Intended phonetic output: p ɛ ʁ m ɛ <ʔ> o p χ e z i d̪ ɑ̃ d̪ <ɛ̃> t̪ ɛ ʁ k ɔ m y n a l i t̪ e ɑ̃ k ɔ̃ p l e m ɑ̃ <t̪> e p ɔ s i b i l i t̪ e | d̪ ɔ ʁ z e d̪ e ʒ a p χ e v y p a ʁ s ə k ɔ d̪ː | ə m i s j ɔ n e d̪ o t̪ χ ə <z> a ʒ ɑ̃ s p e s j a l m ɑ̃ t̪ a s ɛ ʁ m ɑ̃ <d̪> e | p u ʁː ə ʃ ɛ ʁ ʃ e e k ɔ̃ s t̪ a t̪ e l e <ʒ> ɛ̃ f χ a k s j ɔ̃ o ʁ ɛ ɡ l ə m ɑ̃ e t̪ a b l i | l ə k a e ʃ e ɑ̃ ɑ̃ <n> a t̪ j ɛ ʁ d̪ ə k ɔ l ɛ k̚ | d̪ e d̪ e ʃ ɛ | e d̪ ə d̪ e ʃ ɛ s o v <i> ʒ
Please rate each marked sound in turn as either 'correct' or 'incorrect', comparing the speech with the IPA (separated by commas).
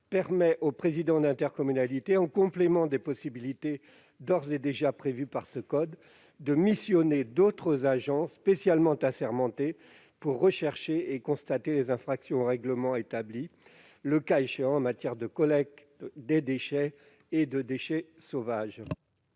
correct, correct, incorrect, correct, incorrect, incorrect, incorrect, incorrect